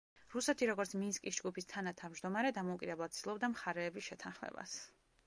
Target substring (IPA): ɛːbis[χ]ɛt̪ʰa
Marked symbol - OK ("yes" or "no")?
no